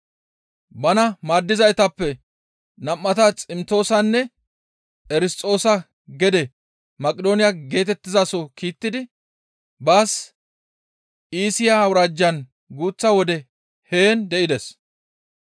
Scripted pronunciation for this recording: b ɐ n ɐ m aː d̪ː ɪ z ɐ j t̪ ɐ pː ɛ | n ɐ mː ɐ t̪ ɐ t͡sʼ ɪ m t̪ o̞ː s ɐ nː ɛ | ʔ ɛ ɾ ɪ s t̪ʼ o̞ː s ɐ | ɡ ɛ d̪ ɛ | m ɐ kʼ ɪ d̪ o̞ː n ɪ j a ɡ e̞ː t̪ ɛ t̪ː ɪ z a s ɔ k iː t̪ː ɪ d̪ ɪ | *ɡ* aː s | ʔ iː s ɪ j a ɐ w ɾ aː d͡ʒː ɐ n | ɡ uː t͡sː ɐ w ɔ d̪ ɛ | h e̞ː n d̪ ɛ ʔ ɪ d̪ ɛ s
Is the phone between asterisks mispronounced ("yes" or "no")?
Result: yes